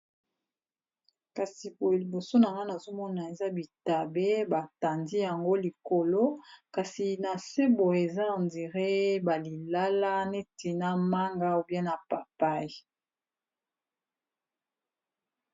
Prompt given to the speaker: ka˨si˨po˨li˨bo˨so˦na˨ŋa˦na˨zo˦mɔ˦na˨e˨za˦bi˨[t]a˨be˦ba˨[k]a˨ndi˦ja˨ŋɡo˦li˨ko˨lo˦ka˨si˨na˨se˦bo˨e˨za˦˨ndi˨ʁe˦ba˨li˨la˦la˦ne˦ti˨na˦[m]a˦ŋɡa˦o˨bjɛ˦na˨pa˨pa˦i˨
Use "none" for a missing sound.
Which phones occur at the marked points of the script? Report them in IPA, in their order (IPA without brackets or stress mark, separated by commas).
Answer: t, t, m